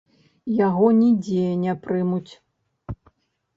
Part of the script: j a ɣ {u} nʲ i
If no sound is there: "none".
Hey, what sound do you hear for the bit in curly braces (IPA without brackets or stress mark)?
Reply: ɔ